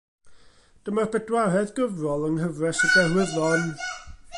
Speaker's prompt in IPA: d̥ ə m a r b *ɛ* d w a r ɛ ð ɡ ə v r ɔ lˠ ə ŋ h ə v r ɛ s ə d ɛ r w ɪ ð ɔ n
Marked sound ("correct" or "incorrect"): correct